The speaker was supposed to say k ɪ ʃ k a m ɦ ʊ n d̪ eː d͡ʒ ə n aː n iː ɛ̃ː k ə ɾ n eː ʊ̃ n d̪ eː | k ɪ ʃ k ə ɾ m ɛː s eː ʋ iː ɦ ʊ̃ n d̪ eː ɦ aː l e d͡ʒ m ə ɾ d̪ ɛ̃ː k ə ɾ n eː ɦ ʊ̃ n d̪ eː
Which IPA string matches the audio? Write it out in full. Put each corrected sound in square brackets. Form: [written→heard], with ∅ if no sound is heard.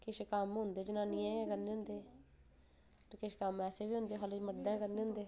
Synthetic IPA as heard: k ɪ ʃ k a m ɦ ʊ n d̪ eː d͡ʒ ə n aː n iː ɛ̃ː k ə ɾ n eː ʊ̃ n d̪ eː | k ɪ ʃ k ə [ɾ→∅] m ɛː s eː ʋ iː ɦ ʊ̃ n d̪ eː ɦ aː l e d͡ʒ m ə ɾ d̪ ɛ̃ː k ə ɾ n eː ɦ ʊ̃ n d̪ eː